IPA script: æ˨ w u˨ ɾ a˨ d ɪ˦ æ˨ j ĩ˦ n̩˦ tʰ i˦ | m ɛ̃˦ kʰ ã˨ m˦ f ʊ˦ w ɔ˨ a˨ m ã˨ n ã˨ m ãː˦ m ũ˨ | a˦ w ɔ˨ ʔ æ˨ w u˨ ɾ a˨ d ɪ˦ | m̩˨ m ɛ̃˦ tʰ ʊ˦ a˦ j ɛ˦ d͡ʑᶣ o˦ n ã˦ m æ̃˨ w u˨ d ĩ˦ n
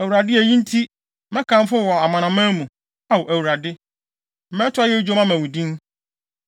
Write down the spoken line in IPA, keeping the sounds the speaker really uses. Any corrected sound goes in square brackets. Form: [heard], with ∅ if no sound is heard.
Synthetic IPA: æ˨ w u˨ ɾ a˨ d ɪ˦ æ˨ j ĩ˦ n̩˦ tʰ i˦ | m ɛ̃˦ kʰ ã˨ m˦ f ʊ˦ w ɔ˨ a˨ m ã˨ n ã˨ m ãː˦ m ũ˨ | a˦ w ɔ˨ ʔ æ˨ w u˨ ɾ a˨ d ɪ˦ | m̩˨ m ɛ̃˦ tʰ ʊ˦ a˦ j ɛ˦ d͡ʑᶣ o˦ [m] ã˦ m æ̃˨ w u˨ d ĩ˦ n